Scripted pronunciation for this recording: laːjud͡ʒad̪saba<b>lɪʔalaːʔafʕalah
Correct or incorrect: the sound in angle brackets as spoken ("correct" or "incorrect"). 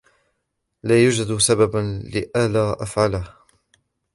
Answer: correct